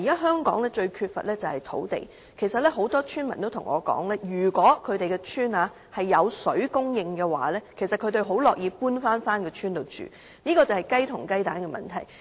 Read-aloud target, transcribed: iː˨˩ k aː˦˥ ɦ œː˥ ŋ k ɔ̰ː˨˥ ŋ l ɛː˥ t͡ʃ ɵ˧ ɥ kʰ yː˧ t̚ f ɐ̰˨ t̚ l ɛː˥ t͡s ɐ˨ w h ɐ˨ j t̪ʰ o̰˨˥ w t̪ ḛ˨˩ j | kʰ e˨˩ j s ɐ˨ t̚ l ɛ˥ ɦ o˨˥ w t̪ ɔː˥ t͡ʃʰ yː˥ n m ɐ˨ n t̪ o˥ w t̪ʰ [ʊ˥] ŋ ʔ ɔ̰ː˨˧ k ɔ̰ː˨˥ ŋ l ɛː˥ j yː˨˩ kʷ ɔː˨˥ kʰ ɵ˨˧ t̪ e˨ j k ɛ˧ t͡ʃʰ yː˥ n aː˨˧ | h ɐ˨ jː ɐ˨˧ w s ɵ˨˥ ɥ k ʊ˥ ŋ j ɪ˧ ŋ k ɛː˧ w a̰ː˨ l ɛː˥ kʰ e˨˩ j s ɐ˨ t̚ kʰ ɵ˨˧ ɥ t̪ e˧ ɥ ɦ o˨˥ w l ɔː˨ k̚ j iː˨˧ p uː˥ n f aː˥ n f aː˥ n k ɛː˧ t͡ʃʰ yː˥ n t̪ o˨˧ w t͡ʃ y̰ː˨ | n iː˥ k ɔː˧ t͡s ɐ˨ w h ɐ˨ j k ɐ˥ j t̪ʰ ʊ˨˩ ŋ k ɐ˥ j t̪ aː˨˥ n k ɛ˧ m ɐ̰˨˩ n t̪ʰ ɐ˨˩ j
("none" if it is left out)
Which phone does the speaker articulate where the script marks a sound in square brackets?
ʊ˨˩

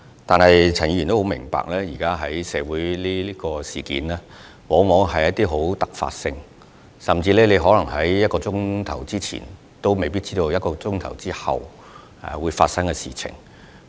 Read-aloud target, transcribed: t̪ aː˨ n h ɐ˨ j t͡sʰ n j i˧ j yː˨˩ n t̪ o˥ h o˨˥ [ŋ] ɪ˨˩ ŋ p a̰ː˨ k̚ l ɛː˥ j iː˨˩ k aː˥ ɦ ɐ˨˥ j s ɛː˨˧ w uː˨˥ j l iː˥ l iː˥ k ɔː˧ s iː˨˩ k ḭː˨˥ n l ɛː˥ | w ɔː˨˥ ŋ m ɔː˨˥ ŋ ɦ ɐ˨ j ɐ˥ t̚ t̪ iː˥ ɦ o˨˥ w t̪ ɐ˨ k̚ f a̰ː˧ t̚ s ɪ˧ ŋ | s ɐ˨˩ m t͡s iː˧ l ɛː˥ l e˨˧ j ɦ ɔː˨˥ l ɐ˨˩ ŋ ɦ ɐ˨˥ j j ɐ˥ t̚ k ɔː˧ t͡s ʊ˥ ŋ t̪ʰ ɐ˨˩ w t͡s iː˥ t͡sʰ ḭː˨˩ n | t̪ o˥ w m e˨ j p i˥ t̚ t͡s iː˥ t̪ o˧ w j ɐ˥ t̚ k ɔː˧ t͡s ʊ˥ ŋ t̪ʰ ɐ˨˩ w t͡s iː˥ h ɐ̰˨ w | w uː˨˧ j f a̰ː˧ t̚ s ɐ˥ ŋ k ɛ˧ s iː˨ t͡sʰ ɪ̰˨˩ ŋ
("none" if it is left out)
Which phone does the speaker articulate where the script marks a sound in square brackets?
m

